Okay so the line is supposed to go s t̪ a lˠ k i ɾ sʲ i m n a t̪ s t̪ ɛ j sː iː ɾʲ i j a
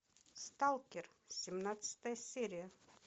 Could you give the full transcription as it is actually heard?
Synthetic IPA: s t̪ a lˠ k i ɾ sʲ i m n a t̪ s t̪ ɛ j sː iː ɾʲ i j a